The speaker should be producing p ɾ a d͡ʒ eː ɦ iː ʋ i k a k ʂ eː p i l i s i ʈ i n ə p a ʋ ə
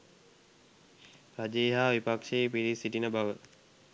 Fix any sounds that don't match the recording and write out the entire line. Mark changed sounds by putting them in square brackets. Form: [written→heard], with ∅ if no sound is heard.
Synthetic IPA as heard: p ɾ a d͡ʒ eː ɦ [iː→aː] ʋ i [k→p] a k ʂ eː p i [l→ɾ] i s i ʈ i n ə [p→b] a ʋ ə